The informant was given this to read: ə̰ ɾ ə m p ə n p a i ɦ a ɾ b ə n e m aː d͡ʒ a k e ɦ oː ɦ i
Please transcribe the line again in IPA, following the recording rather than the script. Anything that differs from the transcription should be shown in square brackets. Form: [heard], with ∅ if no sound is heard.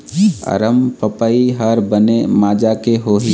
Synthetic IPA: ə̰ ɾ ə m p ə [∅] p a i ɦ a ɾ b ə n e m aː d͡ʒ a k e ɦ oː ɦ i